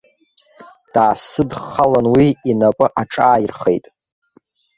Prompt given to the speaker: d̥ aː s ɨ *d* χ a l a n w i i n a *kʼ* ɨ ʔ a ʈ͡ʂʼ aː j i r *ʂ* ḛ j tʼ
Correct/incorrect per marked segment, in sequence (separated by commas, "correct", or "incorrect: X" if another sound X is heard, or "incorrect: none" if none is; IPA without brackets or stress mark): correct, incorrect: pʼ, incorrect: χ